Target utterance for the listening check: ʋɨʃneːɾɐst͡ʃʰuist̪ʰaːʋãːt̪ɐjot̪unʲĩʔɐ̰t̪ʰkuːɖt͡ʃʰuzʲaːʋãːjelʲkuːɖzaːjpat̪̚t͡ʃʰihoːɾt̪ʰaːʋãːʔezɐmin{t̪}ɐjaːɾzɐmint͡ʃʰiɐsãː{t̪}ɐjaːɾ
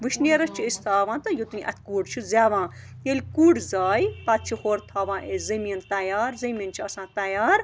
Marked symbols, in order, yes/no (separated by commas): yes, yes